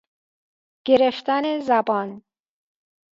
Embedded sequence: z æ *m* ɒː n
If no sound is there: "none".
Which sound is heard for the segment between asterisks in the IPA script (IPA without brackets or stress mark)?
b